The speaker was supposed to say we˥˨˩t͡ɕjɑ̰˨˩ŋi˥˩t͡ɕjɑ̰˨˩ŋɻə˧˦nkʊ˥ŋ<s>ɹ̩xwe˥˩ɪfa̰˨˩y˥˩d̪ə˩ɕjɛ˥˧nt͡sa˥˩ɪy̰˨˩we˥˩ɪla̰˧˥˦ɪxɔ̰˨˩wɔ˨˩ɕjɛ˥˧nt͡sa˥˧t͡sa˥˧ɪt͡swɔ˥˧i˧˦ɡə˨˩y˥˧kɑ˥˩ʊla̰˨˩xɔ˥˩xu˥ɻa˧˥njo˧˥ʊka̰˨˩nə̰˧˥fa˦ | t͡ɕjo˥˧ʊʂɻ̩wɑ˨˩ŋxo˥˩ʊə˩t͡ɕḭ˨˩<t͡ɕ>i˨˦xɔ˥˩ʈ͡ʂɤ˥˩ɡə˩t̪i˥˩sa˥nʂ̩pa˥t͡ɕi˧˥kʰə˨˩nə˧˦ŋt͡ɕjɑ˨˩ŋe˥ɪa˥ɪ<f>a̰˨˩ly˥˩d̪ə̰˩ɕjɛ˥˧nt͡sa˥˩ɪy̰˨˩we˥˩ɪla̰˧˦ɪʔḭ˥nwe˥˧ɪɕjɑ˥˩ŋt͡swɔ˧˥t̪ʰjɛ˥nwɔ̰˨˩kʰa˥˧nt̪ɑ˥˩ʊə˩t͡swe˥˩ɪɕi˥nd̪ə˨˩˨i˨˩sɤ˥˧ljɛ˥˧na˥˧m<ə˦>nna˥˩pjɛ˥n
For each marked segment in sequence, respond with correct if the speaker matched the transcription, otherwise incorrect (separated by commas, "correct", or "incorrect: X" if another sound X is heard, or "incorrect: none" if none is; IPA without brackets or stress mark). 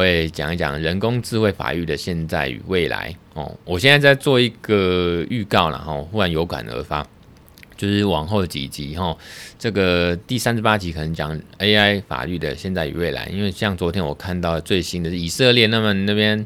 incorrect: t͡s, correct, correct, incorrect: ə˨